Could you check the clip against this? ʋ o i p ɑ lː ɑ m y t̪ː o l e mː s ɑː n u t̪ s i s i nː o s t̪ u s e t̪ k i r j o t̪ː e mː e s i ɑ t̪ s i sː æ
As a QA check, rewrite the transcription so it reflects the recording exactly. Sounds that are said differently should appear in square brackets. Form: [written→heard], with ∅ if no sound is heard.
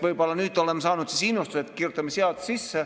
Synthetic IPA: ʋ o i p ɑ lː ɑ [m→n] y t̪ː o l e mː s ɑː n u t̪ s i s i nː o s t̪ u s e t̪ k i r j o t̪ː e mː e s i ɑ t̪ s i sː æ

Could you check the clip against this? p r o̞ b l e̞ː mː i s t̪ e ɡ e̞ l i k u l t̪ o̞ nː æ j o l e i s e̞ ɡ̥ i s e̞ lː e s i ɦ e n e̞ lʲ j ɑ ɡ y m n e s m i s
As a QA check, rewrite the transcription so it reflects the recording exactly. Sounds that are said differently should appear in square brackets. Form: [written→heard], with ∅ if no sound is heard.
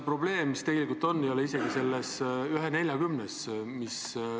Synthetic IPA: p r o̞ b l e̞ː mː i s t̪ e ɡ e̞ l i k u l t̪ o̞ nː [æ→e] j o l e i s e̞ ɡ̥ i s e̞ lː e s [i→y] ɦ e n e̞ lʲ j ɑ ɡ y m n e s m i s

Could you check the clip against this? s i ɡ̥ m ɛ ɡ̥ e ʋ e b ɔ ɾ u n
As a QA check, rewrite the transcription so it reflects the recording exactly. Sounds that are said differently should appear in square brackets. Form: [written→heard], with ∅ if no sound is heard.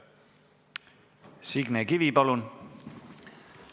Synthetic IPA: s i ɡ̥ [m→n] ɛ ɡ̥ [e→i] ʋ [e→i] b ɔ [ɾ→l] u n

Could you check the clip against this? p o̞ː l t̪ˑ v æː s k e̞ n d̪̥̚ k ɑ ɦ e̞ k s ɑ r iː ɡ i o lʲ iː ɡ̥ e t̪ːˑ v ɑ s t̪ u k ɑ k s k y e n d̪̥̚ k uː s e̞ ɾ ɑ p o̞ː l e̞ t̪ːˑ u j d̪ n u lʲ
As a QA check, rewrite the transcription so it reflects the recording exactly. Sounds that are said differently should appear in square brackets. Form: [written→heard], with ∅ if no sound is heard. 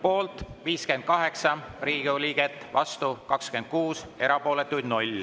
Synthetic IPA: p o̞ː l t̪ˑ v [æː→iː] s k e̞ n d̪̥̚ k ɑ ɦ e̞ k s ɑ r iː ɡ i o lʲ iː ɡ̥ e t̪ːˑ v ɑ s t̪ u k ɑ k s k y e n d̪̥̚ k uː s e̞ ɾ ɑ p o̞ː l e̞ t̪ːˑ u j d̪ n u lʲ

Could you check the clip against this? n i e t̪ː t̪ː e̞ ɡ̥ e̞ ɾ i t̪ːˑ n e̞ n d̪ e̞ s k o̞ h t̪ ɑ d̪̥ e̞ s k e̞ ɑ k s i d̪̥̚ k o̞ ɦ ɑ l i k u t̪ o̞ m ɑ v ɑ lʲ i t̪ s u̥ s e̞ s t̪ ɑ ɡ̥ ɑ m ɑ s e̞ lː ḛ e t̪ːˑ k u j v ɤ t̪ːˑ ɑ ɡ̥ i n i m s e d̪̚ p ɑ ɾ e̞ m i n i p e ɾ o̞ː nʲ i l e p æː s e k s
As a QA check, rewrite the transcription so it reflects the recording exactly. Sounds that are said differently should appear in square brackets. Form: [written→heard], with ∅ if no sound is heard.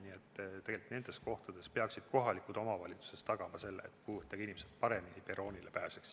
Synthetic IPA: n i e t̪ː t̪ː e̞ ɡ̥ e̞ [ɾ→l] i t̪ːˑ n e̞ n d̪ e̞ s k o̞ h t̪ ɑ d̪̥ e̞ s [k→p] e̞ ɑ k s i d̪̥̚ k o̞ ɦ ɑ l i k u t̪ o̞ m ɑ v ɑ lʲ i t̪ s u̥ s e̞ s t̪ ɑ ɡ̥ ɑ m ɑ s e̞ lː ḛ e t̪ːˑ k u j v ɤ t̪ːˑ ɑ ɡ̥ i n i m s e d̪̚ p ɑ ɾ e̞ m i n i p e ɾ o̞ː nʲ i l e p æː s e k s

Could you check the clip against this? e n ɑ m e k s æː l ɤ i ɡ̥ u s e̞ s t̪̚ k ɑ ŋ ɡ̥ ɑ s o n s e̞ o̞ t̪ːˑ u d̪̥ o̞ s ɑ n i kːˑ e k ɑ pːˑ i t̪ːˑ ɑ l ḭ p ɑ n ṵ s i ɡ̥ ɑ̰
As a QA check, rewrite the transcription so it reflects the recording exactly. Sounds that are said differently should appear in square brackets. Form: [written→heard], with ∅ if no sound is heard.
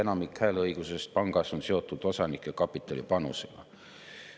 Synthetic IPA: e n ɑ m [e→i] k [s→h] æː l ɤ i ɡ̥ u s e̞ s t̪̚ [k→p] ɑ ŋ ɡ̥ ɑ s o n s e̞ o̞ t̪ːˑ u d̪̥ o̞ s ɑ n i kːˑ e k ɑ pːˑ i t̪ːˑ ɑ l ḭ p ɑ n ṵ s [i→e] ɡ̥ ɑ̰

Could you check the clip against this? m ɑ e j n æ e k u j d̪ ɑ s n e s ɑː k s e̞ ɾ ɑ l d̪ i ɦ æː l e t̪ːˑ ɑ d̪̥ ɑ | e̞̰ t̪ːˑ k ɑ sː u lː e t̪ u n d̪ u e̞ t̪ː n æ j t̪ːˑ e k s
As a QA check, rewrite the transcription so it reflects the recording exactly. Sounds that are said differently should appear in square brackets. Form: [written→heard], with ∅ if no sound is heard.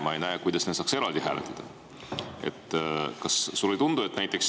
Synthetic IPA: m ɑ e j n æ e k u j d̪ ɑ s n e s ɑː k s e̞ ɾ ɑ l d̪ i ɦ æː l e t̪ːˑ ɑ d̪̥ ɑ | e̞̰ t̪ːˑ k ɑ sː u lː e t̪ u n d̪ u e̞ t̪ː n æ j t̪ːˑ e k s

